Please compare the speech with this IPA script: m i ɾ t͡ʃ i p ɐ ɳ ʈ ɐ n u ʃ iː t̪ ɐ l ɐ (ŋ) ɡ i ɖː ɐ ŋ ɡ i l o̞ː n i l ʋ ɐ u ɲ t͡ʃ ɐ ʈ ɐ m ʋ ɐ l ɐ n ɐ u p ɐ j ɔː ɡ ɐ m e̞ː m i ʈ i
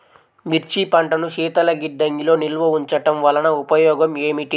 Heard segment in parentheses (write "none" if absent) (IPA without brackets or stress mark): none